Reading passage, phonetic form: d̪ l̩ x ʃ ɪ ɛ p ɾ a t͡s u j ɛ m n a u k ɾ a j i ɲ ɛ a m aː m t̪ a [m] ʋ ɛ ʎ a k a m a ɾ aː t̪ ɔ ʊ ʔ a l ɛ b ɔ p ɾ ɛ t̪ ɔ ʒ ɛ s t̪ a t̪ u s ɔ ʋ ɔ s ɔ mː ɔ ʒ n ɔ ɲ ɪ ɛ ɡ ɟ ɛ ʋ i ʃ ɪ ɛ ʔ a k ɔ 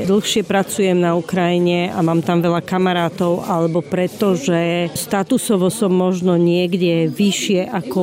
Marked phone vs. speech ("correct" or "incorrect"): correct